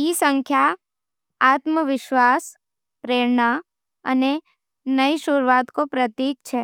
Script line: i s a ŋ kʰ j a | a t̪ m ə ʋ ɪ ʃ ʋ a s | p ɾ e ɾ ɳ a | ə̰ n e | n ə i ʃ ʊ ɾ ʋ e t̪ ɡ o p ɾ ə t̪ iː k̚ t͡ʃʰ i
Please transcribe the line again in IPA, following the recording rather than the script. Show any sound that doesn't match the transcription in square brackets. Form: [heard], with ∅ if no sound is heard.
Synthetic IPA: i s [ə] ŋ kʰ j a | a t̪ m ə ʋ ɪ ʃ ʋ a s | p ɾ e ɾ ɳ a | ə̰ n e | n ə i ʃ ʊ ɾ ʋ [a] t̪ [k] o p ɾ ə t̪ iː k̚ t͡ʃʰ [e]